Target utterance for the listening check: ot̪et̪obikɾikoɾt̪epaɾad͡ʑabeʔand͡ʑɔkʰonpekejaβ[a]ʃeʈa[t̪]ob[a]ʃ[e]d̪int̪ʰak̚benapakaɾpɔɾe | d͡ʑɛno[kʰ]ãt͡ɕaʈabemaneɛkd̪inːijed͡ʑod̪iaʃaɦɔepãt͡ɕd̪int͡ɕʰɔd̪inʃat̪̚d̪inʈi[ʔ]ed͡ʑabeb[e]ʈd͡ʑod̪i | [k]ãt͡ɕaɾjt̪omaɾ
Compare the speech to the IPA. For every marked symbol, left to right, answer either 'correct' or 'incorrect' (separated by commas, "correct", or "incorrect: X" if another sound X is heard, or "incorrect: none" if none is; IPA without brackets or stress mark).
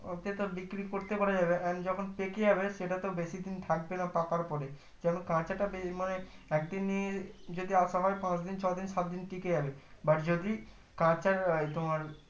incorrect: e, correct, incorrect: e, incorrect: i, incorrect: k, incorrect: k, incorrect: a, correct